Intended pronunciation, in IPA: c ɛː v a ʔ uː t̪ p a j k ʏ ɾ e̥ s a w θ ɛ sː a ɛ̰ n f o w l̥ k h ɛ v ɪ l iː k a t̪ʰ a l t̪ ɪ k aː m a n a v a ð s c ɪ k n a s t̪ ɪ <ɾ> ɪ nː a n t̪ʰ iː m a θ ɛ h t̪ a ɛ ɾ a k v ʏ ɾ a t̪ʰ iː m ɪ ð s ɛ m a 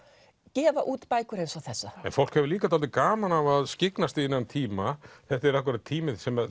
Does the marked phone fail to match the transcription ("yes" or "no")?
yes